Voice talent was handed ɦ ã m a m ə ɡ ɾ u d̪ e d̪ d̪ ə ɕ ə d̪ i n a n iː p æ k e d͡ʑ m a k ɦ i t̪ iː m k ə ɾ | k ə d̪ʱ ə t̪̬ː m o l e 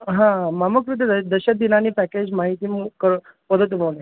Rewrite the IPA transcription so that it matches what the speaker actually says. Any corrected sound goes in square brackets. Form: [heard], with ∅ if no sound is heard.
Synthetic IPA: ɦ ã m a m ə [k] ɾ u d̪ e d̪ d̪ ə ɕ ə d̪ i n a n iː p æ k e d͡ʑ m a [∅] ɦ i t̪ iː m k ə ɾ | [p] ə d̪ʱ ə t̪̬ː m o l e